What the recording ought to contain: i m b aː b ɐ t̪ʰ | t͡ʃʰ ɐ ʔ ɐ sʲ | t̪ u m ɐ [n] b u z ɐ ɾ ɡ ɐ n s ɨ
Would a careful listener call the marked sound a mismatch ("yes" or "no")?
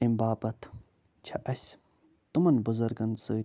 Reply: no